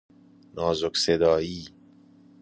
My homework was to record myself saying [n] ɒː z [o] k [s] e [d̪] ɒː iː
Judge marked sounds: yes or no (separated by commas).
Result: yes, yes, yes, yes